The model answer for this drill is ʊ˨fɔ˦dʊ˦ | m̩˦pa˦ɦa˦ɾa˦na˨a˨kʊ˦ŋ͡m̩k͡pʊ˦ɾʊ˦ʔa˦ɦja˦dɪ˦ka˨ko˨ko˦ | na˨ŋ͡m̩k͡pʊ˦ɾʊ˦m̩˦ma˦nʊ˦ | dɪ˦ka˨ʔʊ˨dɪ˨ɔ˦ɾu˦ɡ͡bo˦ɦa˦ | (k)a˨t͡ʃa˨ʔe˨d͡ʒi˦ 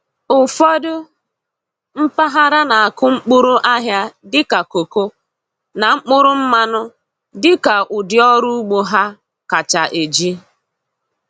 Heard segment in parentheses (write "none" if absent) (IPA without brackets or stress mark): k